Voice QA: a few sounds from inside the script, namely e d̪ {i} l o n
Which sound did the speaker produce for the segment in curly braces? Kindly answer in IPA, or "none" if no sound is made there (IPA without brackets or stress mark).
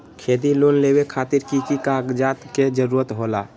i